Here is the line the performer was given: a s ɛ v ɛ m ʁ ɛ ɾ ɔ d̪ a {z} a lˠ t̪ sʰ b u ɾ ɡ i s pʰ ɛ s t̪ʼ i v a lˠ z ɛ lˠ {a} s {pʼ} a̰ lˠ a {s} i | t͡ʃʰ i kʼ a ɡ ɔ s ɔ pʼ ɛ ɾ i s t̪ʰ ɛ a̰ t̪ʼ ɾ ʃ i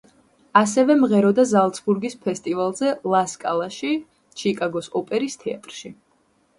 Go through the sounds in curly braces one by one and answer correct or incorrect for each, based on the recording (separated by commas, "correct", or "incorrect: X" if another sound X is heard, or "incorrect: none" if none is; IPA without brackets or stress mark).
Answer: correct, correct, incorrect: kʼ, incorrect: ʃ